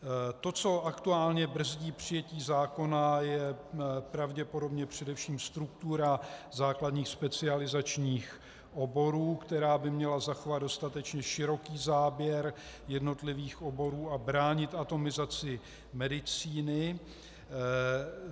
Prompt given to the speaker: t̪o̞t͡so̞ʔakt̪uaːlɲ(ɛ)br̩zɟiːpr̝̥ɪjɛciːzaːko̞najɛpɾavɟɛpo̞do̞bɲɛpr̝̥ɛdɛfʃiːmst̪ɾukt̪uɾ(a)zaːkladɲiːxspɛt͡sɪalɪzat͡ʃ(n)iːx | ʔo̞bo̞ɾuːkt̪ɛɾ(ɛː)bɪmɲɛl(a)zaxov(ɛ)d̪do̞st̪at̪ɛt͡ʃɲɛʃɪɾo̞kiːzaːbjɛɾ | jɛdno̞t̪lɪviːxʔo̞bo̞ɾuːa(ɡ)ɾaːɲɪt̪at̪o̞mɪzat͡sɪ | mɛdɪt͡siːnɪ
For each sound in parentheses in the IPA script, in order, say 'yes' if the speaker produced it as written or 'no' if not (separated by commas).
yes, yes, no, no, yes, no, no